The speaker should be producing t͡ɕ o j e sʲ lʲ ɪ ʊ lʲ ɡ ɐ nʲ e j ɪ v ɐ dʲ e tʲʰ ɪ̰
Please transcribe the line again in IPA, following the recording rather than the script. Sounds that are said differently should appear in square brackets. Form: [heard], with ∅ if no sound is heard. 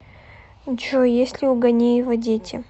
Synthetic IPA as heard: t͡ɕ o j e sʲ lʲ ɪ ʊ [∅] ɡ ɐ nʲ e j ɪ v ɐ dʲ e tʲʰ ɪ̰

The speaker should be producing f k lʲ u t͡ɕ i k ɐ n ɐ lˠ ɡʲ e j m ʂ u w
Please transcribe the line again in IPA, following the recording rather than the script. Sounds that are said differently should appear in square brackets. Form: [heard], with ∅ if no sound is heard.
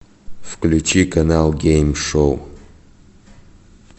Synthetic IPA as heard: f k lʲ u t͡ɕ i k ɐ n [a] lˠ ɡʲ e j m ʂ [o] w

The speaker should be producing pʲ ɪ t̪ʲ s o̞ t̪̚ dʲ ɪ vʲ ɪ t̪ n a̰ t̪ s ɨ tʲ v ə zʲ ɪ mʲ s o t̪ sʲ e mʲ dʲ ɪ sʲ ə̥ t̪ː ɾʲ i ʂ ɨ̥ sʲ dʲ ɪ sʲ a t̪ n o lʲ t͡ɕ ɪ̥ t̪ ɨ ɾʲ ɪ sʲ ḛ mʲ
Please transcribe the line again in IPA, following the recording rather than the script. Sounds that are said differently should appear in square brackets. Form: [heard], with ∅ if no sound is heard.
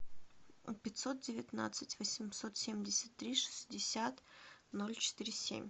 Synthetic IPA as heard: pʲ ɪ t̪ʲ s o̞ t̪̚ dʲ ɪ vʲ ɪ t̪ n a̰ t̪ s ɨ tʲ v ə [sʲ] ɪ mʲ s o t̪ sʲ e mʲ dʲ ɪ sʲ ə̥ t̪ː ɾʲ i ʂ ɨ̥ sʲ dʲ ɪ sʲ a t̪ n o lʲ t͡ɕ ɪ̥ t̪ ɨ ɾʲ ɪ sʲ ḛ mʲ

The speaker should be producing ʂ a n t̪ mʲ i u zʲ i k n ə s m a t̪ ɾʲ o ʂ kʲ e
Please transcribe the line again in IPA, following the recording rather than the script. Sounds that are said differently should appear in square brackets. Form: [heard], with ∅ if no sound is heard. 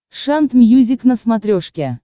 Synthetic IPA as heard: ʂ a n t̪ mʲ [j] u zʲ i k n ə s m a t̪ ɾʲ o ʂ kʲ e

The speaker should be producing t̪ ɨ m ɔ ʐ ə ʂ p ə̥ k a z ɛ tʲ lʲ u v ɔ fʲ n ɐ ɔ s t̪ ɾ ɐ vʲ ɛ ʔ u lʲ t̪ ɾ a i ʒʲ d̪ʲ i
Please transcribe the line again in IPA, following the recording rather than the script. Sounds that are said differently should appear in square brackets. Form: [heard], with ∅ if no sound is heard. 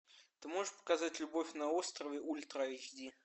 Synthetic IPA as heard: t̪ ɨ m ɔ ʐ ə ʂ p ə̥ k a z [a] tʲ lʲ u [b] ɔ fʲ n ɐ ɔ s t̪ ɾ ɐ vʲ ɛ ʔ u lʲ t̪ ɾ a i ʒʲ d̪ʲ i

